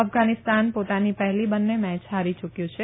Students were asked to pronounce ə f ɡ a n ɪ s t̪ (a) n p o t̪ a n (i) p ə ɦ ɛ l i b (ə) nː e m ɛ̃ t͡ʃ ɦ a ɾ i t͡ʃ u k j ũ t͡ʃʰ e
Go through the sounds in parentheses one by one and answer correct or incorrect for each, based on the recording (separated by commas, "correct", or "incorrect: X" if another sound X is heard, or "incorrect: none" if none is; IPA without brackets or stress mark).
correct, correct, correct